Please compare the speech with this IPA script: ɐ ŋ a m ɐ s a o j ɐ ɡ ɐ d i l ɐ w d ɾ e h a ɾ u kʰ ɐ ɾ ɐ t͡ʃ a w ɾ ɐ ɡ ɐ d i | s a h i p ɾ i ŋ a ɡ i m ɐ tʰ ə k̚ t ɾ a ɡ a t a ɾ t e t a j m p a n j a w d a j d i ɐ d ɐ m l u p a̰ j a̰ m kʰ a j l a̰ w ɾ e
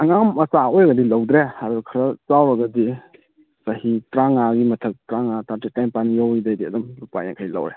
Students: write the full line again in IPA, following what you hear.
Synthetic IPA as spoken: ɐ ŋ a m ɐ s a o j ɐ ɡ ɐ d i l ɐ w d ɾ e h a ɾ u kʰ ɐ ɾ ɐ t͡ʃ a w ɾ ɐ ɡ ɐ d i | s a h i t ɾ a ŋ a ɡ i m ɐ tʰ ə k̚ t ɾ a ŋ a t a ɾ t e t a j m p a n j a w d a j d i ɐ d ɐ m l u p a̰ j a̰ ŋ kʰ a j l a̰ w ɾ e